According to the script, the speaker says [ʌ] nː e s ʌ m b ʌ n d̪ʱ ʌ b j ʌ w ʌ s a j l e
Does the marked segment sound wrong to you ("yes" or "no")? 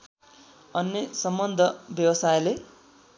no